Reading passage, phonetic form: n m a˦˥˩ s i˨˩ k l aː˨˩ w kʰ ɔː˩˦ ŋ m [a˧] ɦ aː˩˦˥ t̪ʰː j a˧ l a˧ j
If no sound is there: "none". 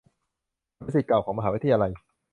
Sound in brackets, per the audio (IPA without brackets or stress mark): a˧